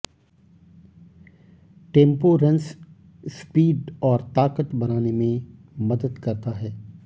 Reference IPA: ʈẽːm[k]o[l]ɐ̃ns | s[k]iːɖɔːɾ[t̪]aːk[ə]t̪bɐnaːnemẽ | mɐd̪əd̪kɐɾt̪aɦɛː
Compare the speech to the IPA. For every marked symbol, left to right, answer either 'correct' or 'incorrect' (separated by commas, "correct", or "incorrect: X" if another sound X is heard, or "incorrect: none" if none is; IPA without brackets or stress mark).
incorrect: p, incorrect: ɾ, incorrect: p, correct, correct